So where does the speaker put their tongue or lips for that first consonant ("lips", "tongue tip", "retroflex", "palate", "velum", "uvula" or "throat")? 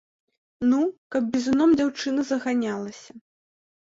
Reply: tongue tip